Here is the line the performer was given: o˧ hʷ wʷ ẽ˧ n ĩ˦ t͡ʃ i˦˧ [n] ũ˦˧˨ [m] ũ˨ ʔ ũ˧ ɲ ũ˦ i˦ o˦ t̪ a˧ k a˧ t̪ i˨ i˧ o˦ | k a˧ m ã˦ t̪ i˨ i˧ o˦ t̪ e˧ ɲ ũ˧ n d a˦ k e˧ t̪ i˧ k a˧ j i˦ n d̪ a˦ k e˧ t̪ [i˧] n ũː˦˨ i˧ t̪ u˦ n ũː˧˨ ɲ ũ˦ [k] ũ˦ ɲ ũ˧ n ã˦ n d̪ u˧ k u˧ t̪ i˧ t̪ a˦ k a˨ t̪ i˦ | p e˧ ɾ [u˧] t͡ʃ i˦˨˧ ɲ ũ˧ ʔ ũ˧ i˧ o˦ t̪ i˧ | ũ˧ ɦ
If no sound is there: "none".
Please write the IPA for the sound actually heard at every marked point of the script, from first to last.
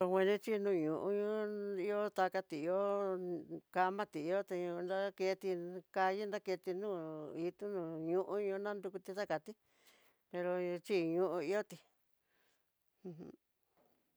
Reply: n, ɲ, i˧, ʔ, o˧

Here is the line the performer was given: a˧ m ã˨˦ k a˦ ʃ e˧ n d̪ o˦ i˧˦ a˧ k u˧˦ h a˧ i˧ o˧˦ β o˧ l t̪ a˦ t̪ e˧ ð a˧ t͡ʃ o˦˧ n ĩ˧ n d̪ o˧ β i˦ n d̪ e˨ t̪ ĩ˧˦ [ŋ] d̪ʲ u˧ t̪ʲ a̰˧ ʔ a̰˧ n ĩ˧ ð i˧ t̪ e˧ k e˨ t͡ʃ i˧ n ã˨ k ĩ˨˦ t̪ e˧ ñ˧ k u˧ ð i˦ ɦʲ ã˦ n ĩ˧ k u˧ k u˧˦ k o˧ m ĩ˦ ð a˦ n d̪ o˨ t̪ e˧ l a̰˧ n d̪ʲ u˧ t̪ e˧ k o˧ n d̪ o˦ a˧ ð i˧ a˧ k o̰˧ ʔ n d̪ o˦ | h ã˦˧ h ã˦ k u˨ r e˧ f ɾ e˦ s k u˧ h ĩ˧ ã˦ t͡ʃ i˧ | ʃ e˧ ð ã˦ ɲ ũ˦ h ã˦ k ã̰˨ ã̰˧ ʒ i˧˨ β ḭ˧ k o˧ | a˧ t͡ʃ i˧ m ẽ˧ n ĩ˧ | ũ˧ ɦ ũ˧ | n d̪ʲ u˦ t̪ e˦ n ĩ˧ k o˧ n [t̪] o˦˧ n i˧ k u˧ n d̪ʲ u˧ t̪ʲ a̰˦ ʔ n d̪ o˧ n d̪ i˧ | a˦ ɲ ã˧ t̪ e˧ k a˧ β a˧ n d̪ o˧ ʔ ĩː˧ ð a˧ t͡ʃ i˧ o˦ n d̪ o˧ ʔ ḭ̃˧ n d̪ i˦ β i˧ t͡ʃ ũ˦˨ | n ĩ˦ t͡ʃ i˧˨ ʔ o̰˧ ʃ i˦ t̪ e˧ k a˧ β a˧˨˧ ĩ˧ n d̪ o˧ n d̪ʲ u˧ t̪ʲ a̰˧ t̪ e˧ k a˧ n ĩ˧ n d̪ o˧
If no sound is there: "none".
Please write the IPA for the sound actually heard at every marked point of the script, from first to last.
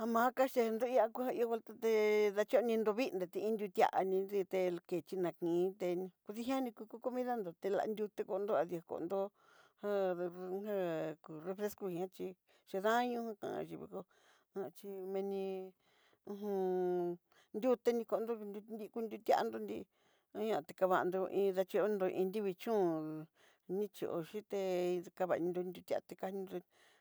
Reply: n, d̪

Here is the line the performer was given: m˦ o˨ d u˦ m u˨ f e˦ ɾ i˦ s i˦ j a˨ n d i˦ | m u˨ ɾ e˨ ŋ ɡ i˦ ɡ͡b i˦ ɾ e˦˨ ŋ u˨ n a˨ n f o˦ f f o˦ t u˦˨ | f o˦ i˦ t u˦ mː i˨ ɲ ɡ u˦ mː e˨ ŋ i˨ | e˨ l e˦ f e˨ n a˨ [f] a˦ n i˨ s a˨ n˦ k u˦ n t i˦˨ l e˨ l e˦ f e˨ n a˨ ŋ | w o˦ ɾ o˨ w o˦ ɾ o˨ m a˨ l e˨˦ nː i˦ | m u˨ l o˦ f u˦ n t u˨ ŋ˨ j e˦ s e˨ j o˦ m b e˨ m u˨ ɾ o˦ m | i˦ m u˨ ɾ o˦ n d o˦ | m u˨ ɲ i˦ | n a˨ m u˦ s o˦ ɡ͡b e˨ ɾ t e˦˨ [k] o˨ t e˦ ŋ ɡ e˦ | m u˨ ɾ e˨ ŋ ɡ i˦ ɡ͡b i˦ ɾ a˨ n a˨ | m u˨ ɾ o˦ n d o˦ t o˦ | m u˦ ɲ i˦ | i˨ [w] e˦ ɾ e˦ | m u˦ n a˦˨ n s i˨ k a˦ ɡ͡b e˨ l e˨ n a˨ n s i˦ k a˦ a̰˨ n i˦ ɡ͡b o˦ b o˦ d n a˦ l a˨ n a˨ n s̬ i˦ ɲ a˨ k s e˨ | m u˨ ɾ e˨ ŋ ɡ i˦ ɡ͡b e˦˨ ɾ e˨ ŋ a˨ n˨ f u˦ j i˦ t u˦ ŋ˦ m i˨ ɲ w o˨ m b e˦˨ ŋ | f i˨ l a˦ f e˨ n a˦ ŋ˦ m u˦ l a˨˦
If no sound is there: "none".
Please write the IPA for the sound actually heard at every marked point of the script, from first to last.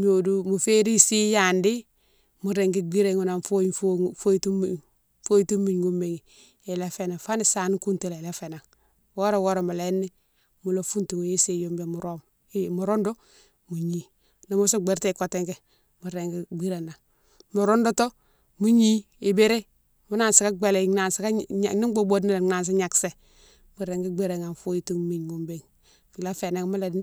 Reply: f, k, b

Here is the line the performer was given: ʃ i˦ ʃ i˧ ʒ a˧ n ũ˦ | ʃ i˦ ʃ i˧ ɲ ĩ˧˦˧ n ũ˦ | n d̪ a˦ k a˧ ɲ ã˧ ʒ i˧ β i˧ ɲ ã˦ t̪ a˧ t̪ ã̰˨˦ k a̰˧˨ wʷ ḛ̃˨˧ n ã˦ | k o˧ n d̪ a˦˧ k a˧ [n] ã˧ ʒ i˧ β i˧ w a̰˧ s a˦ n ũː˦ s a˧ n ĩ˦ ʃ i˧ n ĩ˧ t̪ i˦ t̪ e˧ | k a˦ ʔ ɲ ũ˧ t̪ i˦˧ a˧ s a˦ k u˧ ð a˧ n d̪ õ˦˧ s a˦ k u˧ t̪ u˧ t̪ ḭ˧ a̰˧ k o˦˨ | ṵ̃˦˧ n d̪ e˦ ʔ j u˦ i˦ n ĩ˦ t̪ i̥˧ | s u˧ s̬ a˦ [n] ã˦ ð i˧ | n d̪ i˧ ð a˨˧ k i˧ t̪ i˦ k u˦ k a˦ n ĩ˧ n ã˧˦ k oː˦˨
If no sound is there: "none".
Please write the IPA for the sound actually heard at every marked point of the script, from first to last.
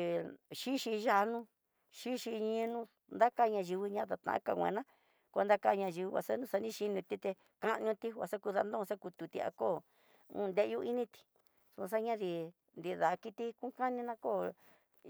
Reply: ɲ, ɲ

